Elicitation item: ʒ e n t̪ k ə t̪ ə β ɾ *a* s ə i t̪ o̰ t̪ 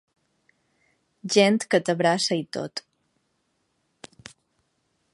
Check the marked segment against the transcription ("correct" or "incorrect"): correct